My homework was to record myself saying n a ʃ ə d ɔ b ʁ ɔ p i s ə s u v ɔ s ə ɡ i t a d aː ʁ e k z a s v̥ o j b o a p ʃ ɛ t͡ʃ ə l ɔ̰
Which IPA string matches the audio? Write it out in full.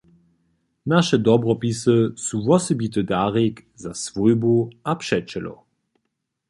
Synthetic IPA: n a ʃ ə d ɔ b ʁ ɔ p i s ə s u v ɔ s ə b i t ə d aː ʁ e k z a s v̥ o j b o a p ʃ ɛ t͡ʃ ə l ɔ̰